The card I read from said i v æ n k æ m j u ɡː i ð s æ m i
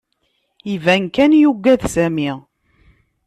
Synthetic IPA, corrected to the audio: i v æ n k æ n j u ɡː æ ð s æ m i